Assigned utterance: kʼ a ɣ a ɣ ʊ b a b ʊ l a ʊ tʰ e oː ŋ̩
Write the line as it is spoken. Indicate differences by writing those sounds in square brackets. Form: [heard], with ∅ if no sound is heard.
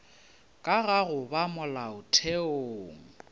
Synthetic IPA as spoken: kʼ a ɣ a ɣ ʊ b a [m] ʊ l a ʊ tʰ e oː ŋ̩